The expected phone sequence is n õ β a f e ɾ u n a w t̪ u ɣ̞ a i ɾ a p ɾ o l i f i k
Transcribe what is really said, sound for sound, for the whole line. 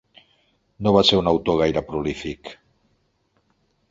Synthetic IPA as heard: n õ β a s e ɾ u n a w t̪ o ɣ̞ a j ɾ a p ɾ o l i f i k